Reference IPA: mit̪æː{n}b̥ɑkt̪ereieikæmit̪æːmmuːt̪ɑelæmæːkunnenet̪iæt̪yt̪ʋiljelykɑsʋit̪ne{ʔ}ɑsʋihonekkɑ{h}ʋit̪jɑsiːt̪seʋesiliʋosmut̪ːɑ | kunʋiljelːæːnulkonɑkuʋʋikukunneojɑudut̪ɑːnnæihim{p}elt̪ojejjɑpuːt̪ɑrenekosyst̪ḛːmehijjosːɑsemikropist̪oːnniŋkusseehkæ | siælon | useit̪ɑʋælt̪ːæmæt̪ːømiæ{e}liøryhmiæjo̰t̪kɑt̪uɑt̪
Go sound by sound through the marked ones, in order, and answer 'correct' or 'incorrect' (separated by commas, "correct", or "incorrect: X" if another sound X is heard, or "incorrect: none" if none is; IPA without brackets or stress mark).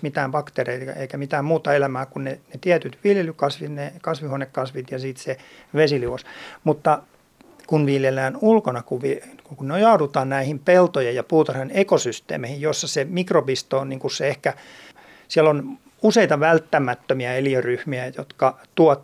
incorrect: m, incorrect: k, incorrect: s, correct, correct